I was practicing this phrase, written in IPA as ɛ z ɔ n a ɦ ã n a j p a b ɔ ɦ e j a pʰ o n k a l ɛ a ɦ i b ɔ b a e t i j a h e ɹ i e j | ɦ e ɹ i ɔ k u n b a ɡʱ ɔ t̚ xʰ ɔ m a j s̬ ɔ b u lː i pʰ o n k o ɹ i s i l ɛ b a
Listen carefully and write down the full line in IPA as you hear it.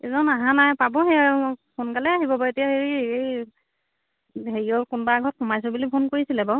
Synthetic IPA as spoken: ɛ z ɔ n a ɦ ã n a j p a b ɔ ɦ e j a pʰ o n k a l ɛ a ɦ i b ɔ b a e t i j a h e ɹ i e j | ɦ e ɹ i ɔ k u n b a ɡʱ ɔ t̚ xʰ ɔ m a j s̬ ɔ b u l i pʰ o n k o ɹ i s i l ɛ b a